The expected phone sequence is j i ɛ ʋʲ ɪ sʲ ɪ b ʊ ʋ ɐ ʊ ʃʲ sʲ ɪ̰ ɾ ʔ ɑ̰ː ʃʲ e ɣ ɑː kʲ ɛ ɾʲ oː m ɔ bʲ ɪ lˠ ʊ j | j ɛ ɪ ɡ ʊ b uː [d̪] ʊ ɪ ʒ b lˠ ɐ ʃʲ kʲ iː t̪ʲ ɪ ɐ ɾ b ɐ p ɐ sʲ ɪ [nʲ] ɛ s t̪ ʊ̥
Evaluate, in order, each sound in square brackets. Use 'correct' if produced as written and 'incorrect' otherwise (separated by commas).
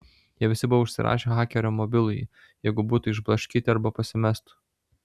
incorrect, incorrect